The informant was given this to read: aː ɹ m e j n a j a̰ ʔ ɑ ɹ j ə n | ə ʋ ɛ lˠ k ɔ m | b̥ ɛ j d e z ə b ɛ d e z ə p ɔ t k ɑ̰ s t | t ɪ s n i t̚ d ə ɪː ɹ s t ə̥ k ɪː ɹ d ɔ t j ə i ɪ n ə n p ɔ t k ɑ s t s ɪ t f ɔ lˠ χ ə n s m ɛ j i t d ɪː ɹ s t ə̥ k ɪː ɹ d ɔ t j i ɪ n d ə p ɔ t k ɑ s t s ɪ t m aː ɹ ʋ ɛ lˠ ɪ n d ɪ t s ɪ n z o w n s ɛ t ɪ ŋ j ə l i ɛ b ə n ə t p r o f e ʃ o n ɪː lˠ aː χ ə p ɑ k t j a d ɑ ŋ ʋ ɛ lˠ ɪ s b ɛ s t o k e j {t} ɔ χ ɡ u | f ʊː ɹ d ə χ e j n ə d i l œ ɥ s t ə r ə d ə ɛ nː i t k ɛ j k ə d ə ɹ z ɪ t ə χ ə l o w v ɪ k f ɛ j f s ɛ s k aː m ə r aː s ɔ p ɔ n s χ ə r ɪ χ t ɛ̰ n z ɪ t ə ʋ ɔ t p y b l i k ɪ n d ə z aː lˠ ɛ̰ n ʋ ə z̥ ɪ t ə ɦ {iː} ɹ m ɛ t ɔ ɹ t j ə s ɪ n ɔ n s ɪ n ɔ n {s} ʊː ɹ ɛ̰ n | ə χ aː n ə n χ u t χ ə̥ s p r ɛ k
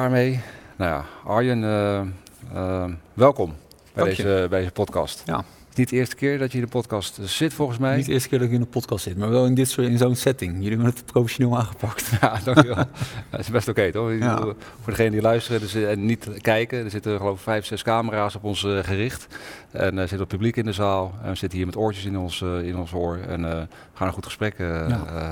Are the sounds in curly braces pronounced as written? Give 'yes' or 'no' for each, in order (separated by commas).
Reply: yes, yes, yes